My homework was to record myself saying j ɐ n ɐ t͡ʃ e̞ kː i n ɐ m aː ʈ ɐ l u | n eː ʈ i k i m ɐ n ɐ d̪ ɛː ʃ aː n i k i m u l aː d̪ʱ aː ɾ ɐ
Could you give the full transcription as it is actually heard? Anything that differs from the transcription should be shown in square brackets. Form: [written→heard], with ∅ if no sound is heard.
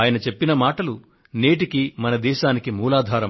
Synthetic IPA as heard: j ɐ n ɐ t͡ʃ e̞ [kː→pː] i n ɐ m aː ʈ ɐ l u | n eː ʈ i k i m ɐ n ɐ d̪ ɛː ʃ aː n i k i m [u→uː] l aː d̪ʱ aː ɾ ɐ